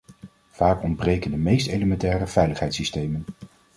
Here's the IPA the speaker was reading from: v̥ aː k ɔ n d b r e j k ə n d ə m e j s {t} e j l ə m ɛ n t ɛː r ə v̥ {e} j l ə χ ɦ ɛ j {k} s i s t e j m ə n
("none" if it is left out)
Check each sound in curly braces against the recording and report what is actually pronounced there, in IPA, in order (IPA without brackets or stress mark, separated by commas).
t, ɛ, t